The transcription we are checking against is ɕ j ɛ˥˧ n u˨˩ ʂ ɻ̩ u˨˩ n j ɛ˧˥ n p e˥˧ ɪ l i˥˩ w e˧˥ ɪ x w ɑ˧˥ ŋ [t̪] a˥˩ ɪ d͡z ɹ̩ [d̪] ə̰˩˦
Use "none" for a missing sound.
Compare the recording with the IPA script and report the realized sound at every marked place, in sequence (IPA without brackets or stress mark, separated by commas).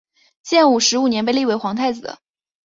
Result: t̪ʰ, d̪